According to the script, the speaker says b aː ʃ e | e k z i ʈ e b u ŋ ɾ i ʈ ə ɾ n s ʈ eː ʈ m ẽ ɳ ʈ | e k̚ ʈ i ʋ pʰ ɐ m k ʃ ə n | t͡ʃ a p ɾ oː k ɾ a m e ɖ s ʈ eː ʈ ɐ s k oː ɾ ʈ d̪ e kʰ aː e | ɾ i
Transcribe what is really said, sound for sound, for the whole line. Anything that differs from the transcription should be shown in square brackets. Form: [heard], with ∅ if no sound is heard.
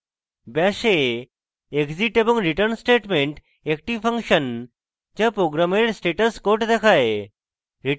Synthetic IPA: b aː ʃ e | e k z i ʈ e b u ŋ ɾ i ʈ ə ɾ n s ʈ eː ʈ m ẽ ɳ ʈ | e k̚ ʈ i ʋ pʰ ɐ [ŋ] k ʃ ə n | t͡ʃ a p ɾ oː [ɡ] ɾ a m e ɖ s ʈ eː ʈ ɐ s k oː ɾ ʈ d̪ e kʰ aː e | ɾ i